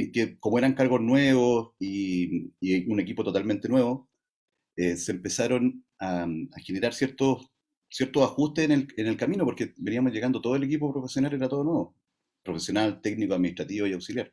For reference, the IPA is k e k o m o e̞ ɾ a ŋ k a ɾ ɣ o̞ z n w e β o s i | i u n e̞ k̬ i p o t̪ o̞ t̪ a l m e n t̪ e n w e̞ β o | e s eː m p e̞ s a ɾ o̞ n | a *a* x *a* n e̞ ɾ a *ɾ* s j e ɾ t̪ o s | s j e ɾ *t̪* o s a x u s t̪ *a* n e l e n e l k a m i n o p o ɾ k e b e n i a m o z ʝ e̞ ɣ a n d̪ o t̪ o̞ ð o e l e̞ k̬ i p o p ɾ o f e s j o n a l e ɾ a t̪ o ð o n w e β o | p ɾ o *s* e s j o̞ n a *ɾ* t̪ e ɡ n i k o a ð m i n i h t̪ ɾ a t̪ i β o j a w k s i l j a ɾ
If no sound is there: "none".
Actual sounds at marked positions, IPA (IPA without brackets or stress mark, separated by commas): a, e, ɾ, t̪, e, f, l